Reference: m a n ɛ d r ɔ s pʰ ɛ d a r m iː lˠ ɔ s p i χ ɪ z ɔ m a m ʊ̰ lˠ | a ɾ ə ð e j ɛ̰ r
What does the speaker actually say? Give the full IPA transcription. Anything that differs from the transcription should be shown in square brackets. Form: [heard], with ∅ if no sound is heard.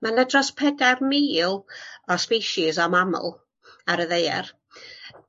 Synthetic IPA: m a n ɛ d r ɔ s pʰ ɛ d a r m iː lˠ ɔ s p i [ʃ] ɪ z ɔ m a m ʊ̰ lˠ | a ɾ ə ð e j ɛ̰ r